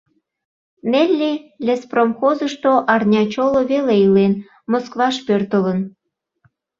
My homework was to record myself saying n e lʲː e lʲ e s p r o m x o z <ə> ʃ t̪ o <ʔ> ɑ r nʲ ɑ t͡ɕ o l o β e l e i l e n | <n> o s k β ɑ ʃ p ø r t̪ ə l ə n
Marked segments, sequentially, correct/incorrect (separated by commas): correct, correct, incorrect